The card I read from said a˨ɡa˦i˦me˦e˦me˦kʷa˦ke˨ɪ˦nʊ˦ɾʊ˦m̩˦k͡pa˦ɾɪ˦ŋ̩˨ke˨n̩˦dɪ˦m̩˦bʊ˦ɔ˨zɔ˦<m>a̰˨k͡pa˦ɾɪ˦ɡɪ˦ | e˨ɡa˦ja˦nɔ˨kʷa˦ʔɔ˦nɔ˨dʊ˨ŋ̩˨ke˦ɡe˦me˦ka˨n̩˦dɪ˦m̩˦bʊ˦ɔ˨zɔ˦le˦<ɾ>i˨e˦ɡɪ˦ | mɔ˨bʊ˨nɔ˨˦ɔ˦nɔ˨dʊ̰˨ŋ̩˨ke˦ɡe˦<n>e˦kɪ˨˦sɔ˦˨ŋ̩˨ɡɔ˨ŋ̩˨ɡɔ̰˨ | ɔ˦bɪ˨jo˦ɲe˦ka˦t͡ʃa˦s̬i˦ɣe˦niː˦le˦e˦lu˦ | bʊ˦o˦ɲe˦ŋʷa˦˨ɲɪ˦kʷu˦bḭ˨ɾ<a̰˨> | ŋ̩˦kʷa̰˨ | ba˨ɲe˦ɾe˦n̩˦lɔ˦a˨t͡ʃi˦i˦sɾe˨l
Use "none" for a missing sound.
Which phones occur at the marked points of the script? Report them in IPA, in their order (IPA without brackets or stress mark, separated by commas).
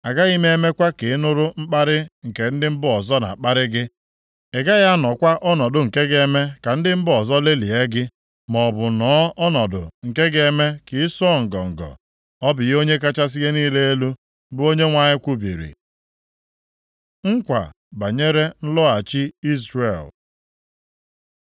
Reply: n, l, m, ḭ˨